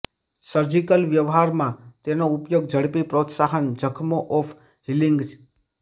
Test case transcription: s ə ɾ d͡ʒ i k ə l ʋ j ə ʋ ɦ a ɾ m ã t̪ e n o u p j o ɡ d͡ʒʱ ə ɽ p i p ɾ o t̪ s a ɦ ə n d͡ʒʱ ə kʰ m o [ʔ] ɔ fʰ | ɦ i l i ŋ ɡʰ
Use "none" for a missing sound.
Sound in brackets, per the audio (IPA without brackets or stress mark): ʔ